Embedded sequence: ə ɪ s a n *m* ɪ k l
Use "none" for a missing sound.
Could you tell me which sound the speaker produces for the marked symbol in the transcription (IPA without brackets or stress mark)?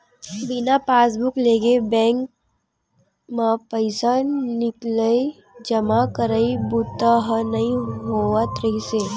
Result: n